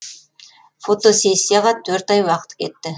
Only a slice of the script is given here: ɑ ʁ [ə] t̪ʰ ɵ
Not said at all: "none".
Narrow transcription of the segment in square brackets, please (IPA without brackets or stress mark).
ɑ